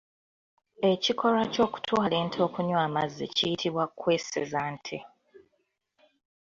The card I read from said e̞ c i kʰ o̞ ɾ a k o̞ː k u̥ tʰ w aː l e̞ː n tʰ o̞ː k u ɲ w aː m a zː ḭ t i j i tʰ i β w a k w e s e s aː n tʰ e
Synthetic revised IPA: e̞ c i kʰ o̞ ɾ a c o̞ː k u̥ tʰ w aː l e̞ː n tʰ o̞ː k u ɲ w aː m a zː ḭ c i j i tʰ i β w a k w e s e z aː n tʰ e